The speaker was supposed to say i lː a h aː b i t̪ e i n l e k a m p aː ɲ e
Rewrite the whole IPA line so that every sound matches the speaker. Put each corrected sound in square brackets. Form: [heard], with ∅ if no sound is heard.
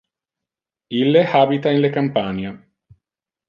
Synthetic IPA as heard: i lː [e] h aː b i t̪ [a] i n l e k a m p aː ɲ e